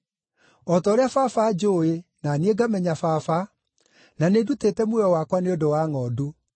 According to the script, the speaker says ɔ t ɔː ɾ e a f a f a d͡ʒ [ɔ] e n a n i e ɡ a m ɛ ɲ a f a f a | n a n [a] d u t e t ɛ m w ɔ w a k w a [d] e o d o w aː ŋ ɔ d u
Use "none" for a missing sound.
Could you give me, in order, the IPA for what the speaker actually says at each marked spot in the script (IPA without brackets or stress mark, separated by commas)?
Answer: o, e, n